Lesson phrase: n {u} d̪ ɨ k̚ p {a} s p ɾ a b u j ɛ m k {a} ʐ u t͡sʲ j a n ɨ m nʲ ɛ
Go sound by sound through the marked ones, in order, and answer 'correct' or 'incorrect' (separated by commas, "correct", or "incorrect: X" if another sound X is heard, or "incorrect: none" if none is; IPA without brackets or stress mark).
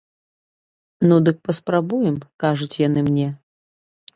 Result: correct, incorrect: ɐ, correct